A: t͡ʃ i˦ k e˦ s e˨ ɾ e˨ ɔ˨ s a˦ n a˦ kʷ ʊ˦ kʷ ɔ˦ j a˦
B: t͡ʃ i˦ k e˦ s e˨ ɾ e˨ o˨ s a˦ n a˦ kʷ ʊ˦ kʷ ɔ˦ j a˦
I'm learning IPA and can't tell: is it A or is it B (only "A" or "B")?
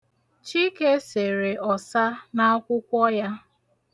A